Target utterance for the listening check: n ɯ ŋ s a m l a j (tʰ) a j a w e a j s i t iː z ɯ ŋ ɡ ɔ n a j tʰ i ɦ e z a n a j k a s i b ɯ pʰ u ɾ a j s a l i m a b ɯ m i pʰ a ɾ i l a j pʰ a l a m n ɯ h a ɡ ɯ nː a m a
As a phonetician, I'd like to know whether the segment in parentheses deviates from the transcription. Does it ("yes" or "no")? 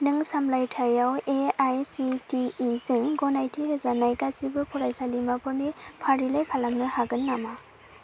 no